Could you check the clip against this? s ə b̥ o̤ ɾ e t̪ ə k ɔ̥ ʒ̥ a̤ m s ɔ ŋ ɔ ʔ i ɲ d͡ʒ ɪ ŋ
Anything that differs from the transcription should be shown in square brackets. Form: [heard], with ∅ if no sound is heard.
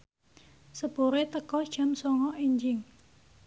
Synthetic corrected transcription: s ə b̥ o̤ ɾ e t̪ ə k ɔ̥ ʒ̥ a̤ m s ɔ ŋ ɔ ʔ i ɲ d͡ʒ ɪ ŋ

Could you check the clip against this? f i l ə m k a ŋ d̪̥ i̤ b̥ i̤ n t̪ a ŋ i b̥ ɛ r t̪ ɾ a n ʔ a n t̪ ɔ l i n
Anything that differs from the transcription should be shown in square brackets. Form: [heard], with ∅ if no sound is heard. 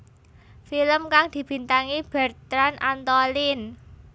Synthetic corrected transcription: f i l ə m k a ŋ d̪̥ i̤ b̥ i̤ n t̪ a ŋ i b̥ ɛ r t̪ ɾ a n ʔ a n t̪ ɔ l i n

